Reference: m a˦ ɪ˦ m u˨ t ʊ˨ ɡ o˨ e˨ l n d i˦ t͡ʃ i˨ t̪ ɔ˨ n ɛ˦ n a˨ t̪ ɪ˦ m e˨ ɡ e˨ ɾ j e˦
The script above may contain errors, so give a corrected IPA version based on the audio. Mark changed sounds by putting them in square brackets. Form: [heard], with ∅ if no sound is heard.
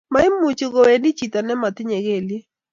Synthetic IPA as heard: m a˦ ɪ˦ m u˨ [t͡ʃ] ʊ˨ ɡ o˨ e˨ [∅] n d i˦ t͡ʃ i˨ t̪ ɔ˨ n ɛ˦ [m] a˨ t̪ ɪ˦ [ɲ] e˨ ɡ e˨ [l] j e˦